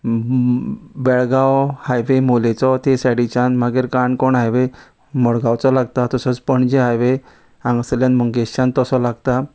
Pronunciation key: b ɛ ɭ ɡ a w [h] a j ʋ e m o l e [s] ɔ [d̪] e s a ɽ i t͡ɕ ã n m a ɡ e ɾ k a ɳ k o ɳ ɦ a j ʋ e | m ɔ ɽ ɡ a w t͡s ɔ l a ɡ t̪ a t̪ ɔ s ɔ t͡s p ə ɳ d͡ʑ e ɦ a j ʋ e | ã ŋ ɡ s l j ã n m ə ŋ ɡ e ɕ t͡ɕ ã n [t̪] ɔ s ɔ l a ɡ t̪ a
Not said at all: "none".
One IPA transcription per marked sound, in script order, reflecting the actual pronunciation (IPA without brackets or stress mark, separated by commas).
h, t͡s, t̪, t̪